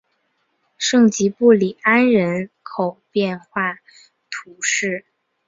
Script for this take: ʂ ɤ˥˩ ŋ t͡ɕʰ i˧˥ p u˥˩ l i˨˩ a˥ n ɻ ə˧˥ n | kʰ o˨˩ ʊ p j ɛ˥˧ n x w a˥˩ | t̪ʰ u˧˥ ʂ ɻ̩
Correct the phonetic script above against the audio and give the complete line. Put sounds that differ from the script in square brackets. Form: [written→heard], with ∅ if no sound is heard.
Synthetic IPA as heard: ʂ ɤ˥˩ ŋ [t͡ɕʰ→t͡ɕ] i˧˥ p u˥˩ l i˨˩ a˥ n ɻ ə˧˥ n | kʰ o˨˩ ʊ p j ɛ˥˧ n x w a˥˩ | t̪ʰ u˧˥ ʂ ɻ̩